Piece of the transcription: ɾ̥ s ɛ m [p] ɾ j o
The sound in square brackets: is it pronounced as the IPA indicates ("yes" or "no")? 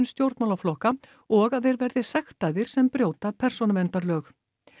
yes